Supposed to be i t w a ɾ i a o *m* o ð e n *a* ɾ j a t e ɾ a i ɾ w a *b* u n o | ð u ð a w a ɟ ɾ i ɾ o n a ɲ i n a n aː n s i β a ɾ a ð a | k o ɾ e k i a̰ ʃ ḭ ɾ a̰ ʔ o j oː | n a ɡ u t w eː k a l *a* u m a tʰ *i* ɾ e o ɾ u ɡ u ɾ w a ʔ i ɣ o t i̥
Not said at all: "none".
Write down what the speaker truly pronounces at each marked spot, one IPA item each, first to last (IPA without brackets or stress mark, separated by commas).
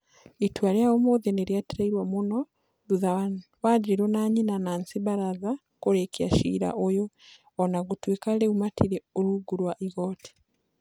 m, e, m, e, i